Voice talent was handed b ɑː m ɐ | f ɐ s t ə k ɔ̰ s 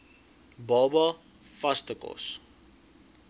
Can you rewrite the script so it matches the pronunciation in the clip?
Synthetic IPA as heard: b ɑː b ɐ | f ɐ s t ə k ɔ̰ s